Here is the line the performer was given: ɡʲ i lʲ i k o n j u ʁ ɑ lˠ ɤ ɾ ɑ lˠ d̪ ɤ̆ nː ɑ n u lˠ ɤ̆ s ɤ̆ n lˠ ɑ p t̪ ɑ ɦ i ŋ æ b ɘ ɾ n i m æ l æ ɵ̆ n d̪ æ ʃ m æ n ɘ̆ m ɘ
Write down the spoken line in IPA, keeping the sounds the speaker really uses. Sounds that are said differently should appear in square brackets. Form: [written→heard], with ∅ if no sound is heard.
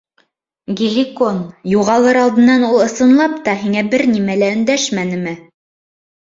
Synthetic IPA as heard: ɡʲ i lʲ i k o n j u ʁ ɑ lˠ ɤ ɾ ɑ lˠ d̪ ɤ̆ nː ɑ n u lˠ ɤ̆ s ɤ̆ n lˠ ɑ p t̪ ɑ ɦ i ŋ æ b ɘ ɾ n i m æ l æ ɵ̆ n d̪ æ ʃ m æ n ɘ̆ m ɘ